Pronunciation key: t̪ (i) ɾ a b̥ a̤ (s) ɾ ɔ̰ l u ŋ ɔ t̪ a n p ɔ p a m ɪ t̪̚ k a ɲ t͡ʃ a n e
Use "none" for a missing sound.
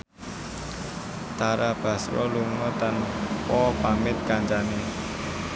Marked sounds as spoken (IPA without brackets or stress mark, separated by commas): a, s